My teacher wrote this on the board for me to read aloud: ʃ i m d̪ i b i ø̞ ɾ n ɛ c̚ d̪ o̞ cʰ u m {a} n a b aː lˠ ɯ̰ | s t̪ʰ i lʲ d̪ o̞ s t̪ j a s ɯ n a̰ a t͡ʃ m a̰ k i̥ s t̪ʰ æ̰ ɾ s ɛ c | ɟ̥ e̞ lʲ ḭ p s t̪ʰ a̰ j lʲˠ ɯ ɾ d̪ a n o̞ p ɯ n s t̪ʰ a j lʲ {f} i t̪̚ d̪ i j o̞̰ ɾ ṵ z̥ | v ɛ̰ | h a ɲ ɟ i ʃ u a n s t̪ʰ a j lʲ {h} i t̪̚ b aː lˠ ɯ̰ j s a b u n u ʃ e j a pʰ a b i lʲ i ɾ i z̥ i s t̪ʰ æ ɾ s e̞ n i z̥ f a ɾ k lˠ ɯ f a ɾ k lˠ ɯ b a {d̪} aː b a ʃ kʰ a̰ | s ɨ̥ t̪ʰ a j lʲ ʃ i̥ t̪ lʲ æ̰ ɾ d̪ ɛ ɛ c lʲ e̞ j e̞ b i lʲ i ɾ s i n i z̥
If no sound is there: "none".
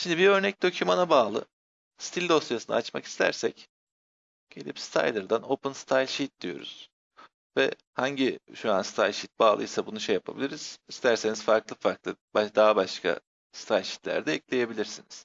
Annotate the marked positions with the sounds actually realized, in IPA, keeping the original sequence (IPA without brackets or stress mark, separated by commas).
a, ʃ, ʃ, d̪